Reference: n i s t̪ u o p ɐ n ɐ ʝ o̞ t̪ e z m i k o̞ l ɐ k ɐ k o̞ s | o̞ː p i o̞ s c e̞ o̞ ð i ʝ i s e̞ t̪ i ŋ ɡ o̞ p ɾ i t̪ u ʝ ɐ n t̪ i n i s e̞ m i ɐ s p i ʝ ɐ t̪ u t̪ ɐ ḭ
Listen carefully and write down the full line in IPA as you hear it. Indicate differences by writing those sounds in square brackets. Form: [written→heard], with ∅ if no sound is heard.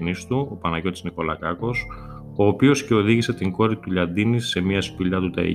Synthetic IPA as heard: n i s t̪ u o p ɐ n ɐ ʝ o̞ t̪ [e→i] z [m→n] i k o̞ l ɐ k ɐ k o̞ s | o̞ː p i o̞ s c e̞ o̞ ð i ʝ i s e̞ t̪ i ŋ ɡ o̞ [p→∅] ɾ i t̪ u [ʝ→ʎ] ɐ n [t̪→d̪] i n i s e̞ m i ɐ s p i [ʝ→ʎ] ɐ t̪ u t̪ ɐ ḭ